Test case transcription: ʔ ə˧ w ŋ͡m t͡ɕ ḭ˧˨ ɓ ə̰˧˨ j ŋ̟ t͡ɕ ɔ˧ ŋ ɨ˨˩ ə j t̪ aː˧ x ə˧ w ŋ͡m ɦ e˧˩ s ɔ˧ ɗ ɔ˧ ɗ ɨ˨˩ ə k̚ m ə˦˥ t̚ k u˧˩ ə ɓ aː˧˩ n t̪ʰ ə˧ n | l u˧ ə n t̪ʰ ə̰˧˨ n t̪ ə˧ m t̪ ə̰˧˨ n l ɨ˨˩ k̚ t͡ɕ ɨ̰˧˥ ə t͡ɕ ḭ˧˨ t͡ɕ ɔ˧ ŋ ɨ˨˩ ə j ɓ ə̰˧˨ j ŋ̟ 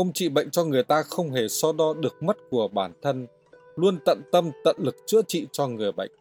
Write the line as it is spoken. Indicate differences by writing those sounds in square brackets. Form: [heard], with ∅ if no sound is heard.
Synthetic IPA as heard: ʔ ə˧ w ŋ͡m t͡ɕ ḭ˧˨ ɓ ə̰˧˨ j ŋ̟ t͡ɕ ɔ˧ ŋ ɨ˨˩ ə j t̪ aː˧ x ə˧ w ŋ͡m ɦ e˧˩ s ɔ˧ ɗ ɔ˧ ɗ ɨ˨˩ ə k̚ m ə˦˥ t̚ k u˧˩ ə ɓ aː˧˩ n t̪ʰ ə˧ n | l u˧ ə n [t̪] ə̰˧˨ n t̪ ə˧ m t̪ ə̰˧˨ n l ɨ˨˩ k̚ t͡ɕ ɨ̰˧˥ ə t͡ɕ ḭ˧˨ t͡ɕ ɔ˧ ŋ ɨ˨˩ ə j ɓ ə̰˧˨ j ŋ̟